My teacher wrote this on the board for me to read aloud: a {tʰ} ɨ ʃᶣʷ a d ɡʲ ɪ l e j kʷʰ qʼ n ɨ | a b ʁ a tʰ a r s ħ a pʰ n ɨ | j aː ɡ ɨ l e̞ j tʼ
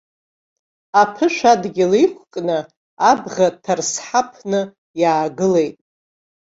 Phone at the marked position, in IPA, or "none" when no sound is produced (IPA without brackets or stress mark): pʰ